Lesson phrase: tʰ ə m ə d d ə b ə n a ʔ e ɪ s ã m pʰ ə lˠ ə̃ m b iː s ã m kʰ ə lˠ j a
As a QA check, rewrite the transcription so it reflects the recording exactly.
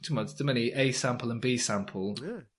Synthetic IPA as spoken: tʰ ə m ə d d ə m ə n i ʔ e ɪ s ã m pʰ ə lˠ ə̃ n b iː s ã m pʰ ə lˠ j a